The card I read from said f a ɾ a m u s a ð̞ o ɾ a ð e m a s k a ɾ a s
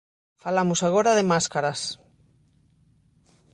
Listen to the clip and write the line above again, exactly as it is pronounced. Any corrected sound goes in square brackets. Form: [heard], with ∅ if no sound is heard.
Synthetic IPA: f a [l] a m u s a [ɣ̞] o ɾ a ð e m a s k a ɾ a s